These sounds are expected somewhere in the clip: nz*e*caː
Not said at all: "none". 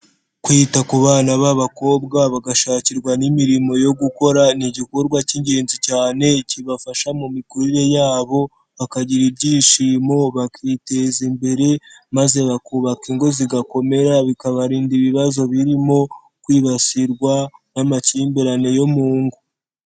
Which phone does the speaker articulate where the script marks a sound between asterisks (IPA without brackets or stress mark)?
i